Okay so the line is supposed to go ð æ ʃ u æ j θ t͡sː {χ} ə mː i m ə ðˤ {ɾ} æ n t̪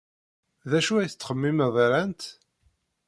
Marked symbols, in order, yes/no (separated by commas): yes, yes